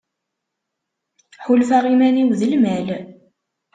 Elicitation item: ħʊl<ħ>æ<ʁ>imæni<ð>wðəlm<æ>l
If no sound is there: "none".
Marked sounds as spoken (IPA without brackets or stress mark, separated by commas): f, ʁ, none, æ